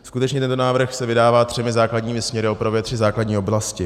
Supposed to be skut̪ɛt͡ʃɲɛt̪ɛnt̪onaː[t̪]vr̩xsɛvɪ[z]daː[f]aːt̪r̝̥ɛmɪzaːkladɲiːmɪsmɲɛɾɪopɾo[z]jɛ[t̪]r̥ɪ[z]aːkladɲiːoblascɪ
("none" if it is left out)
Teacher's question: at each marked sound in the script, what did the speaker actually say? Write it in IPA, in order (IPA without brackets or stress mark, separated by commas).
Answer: none, none, v, v, t̪, z